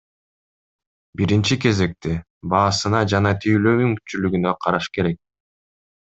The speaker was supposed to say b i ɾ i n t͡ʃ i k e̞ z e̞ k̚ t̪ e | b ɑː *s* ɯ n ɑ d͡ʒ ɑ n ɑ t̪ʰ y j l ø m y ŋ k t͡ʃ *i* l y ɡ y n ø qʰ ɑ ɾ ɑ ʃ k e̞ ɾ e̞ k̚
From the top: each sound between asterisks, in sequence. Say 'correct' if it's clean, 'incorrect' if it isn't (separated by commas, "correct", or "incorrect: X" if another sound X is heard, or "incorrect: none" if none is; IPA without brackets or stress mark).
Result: correct, incorrect: y